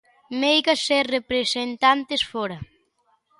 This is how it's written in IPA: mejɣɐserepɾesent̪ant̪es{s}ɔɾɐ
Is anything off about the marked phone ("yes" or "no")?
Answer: yes